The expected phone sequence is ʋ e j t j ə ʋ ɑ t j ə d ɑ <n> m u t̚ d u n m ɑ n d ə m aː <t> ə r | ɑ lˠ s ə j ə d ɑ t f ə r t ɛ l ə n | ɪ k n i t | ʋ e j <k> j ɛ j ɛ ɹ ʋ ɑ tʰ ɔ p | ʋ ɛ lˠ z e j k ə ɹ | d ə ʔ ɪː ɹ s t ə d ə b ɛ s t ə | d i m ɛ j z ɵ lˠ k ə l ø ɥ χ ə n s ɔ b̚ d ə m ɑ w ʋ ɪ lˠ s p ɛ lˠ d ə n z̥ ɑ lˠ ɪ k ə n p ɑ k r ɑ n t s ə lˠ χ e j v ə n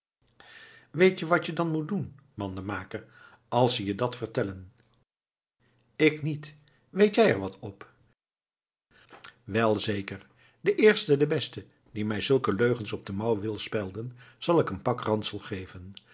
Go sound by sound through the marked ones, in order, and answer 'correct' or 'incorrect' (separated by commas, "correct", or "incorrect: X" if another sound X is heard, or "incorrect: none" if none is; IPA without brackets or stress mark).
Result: correct, incorrect: k, incorrect: t